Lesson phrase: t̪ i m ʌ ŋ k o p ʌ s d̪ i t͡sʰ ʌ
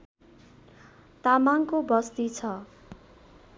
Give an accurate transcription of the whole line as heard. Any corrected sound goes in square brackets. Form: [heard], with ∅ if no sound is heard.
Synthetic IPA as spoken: t̪ [a] m [a] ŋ k o [b] ʌ s [t̪] i t͡sʰ ʌ